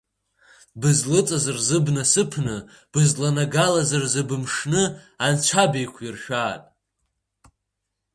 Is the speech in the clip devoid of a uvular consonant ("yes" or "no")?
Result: yes